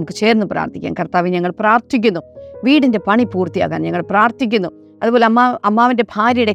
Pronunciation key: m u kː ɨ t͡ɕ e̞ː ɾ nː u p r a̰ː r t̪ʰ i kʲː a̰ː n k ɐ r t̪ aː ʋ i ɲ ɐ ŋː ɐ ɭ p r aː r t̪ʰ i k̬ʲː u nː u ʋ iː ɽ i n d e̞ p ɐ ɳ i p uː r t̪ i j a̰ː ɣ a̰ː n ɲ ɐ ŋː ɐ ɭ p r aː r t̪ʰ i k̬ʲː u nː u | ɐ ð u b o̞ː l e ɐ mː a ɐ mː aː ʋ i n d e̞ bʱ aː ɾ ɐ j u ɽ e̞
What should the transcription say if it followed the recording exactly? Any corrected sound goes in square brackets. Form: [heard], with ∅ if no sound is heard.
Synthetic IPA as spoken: m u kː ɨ t͡ɕ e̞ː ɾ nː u p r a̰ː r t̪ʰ i kʲː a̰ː n k ɐ r t̪ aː ʋ i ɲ ɐ ŋː ɐ ɭ p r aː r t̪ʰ i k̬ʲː u nː u ʋ iː ɽ i n d e̞ p ɐ ɳ i p uː r t̪ i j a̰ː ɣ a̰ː n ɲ ɐ ŋː ɐ ɭ p r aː r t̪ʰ i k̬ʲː u nː u | ɐ ð u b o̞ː l e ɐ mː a ɐ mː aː ʋ i n d e̞ bʱ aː ɾ ɐ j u ɽ e̞